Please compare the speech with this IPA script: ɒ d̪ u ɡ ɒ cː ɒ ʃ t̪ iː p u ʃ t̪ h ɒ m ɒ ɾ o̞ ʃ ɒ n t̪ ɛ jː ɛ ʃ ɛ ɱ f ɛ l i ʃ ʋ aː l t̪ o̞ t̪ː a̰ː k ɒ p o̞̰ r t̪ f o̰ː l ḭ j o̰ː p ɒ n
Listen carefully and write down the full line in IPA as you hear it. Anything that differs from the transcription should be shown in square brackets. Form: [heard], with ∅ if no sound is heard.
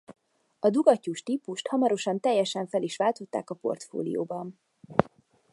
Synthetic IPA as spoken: ɒ d̪ u ɡ ɒ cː [u] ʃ t̪ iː p u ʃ t̪ h ɒ m ɒ ɾ o̞ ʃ ɒ n t̪ ɛ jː ɛ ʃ ɛ ɱ f ɛ l i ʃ ʋ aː l t̪ o̞ t̪ː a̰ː k ɒ p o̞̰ r t̪ f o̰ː l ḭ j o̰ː [b] ɒ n